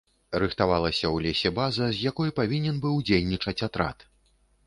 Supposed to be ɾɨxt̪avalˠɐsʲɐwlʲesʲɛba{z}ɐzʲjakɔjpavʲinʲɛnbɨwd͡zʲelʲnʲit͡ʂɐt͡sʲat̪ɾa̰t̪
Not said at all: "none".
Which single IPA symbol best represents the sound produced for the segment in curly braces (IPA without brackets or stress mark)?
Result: z